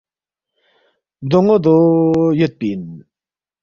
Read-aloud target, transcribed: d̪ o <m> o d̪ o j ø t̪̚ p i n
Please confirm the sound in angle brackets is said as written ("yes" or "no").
no